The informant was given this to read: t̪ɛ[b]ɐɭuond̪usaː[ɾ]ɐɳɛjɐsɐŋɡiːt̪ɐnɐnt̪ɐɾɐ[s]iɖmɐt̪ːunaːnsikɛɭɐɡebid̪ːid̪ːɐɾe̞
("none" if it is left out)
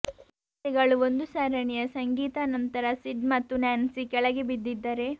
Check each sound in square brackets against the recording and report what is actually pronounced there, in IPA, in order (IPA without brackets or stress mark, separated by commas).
ɡ, ɾ, s